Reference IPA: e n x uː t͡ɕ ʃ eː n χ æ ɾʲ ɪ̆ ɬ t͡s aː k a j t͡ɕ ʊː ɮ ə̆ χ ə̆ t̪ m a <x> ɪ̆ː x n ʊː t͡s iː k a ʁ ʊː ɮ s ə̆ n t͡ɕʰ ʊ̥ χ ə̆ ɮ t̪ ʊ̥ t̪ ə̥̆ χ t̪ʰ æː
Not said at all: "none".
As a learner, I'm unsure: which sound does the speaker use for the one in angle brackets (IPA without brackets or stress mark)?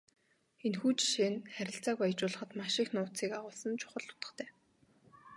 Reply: ʃ